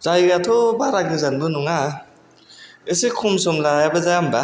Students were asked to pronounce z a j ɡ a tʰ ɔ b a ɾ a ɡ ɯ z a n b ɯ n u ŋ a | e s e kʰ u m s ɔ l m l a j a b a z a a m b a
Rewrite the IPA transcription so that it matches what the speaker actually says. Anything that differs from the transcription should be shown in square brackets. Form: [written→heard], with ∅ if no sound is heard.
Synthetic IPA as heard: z a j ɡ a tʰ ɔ b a ɾ a ɡ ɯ z a n b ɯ n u ŋ a | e s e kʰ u m s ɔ [l→∅] m l a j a b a z a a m b a